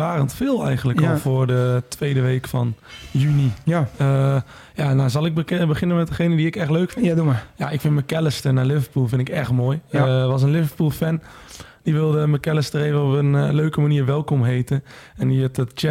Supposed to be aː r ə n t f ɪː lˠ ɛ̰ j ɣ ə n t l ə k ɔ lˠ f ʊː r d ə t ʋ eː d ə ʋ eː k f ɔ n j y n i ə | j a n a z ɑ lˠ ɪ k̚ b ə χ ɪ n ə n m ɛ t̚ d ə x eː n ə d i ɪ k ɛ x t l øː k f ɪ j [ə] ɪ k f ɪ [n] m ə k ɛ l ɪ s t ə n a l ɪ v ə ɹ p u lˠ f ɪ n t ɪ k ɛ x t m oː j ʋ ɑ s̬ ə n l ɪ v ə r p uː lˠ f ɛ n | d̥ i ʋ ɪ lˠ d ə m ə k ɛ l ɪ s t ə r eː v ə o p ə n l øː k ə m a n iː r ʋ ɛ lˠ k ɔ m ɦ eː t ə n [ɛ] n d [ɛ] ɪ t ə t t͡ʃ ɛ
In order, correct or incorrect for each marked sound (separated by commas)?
incorrect, correct, correct, incorrect